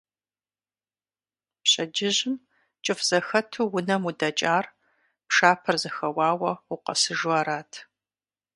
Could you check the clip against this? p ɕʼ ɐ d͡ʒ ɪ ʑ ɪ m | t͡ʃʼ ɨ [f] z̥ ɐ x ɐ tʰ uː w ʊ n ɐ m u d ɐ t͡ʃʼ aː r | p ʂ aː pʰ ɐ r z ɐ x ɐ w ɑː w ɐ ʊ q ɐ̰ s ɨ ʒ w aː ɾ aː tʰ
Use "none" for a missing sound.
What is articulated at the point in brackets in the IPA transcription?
f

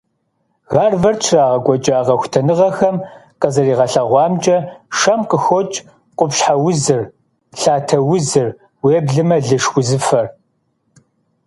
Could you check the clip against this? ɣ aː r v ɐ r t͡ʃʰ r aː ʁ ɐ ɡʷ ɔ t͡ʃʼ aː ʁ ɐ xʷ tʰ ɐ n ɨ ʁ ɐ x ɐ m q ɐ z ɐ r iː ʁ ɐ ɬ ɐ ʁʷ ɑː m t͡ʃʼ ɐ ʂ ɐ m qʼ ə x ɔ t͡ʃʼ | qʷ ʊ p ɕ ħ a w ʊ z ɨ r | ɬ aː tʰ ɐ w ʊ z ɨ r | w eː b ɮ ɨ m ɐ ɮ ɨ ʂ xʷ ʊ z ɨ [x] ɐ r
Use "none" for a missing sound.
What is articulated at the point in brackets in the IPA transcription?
f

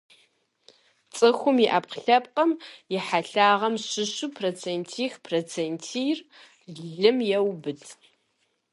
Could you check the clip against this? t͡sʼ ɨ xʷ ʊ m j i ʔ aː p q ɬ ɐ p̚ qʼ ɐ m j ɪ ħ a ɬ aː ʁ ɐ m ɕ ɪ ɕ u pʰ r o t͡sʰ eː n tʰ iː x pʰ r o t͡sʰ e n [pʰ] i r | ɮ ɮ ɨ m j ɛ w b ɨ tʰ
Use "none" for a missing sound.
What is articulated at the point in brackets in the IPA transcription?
tʰ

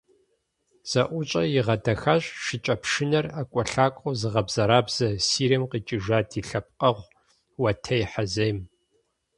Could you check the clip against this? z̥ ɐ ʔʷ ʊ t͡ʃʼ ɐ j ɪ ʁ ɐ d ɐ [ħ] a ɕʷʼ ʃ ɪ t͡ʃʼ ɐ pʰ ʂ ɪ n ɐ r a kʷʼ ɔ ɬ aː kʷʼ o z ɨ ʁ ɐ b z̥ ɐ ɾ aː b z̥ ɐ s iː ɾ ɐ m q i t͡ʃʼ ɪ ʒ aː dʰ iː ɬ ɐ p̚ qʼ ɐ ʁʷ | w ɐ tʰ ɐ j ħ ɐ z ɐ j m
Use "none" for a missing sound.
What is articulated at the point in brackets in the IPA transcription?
x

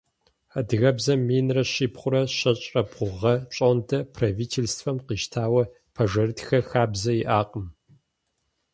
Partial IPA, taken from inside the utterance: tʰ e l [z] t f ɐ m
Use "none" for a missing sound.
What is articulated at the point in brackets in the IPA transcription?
s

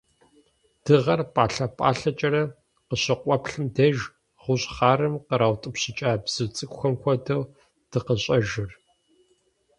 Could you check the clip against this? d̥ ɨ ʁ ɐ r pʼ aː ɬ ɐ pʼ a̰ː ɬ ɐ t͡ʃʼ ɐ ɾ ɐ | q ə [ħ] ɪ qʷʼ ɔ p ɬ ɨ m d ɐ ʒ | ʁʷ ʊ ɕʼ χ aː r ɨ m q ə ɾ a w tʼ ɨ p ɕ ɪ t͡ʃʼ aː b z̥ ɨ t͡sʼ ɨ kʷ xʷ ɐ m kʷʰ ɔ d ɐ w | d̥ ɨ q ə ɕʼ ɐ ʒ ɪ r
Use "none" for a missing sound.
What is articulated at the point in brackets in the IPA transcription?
ɕ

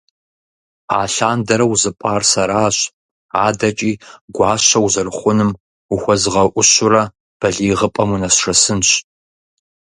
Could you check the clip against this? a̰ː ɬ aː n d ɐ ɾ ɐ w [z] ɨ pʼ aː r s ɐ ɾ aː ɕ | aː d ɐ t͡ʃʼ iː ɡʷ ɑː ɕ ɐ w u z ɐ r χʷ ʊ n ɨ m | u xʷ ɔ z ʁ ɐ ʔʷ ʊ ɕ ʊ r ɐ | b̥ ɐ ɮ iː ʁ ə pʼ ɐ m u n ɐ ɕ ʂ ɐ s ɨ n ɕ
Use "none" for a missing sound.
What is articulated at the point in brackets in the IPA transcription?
z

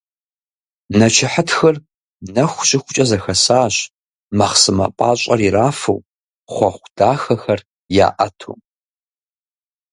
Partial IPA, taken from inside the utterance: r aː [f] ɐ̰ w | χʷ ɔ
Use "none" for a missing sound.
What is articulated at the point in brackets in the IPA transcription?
f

